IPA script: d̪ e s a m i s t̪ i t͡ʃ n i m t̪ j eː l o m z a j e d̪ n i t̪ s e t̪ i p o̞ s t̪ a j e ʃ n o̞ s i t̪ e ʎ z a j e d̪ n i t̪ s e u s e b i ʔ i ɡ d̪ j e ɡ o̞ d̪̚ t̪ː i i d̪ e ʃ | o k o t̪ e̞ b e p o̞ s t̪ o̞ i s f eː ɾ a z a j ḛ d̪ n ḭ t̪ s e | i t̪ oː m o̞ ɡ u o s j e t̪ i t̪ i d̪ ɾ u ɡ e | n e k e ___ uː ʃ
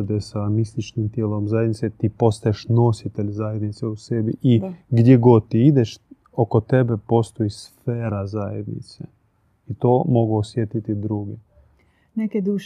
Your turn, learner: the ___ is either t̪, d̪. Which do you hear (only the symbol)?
d̪